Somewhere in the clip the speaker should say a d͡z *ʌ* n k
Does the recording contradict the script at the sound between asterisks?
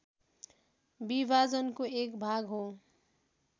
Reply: no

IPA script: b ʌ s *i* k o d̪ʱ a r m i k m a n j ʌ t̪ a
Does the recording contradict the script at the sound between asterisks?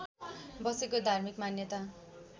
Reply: yes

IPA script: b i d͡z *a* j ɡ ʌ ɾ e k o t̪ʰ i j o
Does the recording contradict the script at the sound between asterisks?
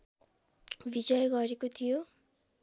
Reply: yes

